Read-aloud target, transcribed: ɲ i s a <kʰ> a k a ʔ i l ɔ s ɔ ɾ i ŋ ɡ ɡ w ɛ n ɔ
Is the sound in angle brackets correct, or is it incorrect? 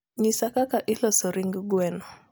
incorrect